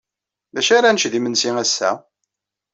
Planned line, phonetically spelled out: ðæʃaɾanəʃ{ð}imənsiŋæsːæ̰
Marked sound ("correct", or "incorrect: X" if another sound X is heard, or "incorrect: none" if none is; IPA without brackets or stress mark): correct